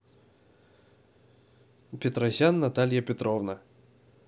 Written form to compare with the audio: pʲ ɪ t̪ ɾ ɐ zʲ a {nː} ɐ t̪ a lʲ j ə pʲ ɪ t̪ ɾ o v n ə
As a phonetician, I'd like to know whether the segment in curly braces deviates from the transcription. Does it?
no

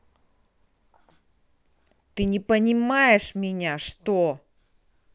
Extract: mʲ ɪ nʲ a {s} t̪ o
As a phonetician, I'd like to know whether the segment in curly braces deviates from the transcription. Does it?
yes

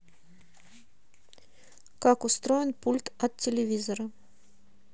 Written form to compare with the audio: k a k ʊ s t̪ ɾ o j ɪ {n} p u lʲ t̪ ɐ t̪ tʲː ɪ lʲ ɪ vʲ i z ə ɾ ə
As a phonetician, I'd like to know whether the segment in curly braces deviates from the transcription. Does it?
no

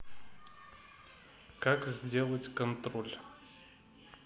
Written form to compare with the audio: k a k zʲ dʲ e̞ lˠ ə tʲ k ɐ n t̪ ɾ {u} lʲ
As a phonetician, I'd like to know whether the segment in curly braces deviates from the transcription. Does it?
yes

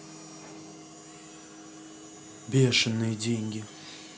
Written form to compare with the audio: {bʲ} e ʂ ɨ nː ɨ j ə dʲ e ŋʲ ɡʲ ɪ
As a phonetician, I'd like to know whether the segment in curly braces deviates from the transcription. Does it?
no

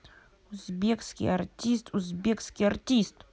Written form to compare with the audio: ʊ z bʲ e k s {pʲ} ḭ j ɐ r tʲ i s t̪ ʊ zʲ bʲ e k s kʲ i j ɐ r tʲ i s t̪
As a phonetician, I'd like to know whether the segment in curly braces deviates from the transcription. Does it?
yes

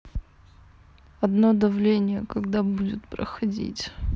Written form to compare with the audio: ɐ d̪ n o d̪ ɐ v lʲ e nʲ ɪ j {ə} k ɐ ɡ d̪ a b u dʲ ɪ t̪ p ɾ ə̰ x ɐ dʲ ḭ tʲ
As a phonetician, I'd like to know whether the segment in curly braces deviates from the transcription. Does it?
no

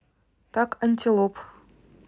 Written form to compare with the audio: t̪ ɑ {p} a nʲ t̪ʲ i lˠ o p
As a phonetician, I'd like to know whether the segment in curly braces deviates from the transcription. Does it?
yes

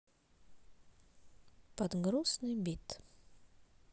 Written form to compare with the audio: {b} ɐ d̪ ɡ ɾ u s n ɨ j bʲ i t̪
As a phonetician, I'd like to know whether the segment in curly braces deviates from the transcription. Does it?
yes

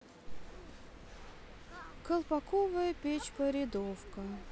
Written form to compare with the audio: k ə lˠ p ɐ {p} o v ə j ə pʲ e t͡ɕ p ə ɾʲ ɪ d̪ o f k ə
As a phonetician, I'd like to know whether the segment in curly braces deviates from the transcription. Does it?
yes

